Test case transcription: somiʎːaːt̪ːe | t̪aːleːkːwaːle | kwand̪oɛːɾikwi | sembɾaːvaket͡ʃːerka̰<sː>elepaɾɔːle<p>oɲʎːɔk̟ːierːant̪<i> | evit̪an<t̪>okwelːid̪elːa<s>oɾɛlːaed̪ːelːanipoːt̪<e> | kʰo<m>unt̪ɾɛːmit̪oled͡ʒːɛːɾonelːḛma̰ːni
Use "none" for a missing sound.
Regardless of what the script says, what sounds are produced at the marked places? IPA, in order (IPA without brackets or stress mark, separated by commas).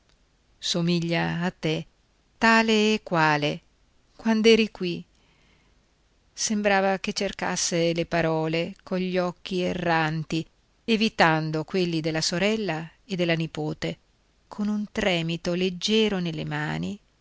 sː, k, i, d̪, s, e, n